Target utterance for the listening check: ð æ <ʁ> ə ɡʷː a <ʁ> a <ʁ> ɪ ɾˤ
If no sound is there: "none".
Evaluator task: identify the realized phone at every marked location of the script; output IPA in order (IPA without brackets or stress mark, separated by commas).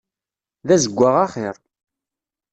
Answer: z, ʁ, χ